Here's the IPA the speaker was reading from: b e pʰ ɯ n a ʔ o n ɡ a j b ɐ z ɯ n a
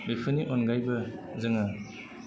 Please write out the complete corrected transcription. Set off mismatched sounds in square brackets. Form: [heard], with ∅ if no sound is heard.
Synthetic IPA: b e pʰ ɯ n [i] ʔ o n ɡ a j b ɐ z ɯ [ŋ] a